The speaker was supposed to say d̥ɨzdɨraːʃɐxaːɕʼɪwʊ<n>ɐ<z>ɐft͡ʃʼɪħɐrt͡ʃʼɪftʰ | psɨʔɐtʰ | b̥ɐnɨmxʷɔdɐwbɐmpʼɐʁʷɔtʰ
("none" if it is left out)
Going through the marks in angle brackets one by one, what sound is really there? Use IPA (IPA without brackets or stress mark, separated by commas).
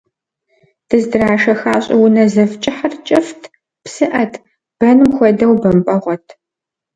n, z